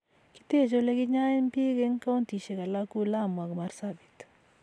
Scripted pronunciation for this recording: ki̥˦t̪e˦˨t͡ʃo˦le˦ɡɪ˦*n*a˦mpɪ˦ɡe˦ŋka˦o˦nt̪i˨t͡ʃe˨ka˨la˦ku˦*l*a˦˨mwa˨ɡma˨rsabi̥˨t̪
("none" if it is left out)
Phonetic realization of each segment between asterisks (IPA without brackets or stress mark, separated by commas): ɲ, l